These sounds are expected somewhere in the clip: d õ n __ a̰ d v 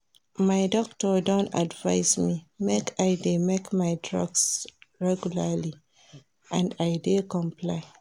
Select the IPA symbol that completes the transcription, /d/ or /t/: t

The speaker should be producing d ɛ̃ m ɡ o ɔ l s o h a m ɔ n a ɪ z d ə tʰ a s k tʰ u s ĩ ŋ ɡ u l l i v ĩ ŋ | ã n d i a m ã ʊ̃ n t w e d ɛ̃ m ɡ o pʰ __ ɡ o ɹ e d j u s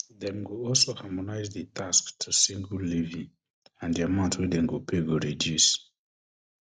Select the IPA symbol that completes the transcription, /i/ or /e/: e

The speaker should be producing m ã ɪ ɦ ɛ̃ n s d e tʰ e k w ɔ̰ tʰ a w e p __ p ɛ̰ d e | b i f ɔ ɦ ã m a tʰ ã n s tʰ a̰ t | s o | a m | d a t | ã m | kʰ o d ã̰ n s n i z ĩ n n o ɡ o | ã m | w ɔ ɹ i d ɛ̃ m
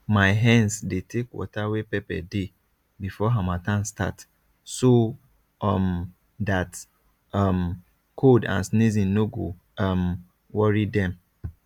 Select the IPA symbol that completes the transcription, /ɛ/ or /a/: ɛ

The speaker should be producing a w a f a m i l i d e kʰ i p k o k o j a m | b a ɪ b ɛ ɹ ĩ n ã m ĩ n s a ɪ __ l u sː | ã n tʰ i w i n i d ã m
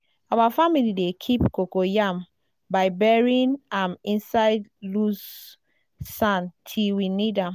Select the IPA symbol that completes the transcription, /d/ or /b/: d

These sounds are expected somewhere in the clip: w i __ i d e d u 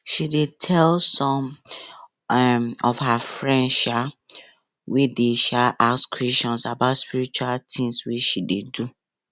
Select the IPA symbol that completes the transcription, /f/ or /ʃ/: ʃ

